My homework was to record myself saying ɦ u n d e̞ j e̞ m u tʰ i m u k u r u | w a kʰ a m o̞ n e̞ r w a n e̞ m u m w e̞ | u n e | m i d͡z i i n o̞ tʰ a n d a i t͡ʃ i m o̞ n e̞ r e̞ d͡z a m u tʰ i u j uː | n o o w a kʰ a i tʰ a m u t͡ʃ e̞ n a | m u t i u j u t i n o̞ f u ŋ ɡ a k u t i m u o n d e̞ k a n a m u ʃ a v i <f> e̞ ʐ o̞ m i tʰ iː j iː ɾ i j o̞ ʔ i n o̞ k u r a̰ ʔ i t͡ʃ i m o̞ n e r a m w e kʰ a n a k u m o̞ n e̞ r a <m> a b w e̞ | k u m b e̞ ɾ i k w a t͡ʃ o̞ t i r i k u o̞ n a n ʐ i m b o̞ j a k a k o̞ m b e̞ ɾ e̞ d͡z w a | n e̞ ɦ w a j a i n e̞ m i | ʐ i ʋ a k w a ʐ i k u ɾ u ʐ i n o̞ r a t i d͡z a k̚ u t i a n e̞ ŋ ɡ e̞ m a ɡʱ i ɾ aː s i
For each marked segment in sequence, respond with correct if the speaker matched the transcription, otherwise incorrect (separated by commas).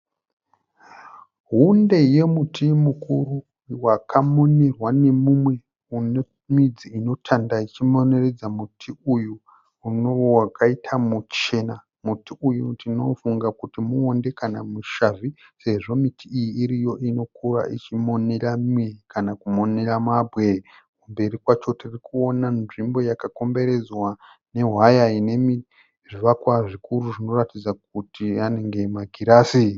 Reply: incorrect, correct